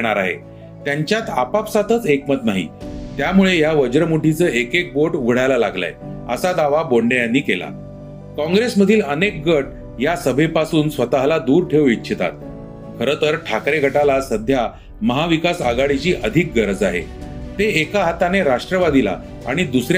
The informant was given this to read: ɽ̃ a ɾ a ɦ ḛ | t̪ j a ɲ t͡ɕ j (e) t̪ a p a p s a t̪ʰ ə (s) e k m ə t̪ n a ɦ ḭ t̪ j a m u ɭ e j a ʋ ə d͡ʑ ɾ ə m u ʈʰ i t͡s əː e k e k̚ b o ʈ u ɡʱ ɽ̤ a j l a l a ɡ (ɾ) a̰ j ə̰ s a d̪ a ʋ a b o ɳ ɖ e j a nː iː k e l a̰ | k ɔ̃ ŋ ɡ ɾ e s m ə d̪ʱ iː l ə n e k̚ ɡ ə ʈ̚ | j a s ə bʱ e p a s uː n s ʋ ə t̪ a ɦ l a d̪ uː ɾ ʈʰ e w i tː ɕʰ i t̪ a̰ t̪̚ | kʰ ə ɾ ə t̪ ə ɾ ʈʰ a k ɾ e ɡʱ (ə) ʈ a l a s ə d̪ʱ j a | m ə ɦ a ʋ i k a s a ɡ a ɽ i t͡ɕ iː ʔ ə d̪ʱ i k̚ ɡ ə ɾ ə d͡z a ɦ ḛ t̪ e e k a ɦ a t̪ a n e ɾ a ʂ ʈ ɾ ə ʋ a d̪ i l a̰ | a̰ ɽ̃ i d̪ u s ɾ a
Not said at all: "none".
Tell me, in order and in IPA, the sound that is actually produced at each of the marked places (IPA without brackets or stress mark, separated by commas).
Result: a, t͡s, l, ə